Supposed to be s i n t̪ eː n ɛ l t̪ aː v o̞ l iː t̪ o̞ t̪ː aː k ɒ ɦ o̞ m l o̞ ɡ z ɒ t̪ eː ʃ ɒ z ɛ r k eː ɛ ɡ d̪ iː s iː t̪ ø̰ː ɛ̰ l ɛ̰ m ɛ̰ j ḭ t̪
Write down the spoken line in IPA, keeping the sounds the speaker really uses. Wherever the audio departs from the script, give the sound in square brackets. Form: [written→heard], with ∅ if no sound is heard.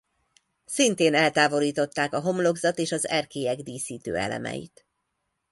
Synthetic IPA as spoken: s i n t̪ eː n ɛ l t̪ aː v o̞ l iː t̪ o̞ t̪ː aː k ɒ ɦ o̞ m l o̞ ɡ z ɒ t̪ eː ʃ ɒ z ɛ r k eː ɛ ɡ d̪ iː s iː t̪ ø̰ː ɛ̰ l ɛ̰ m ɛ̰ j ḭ t̪